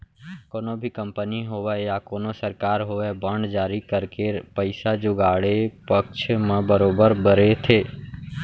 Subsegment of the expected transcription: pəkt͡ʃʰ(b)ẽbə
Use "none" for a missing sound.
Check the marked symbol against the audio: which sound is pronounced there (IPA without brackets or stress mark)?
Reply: m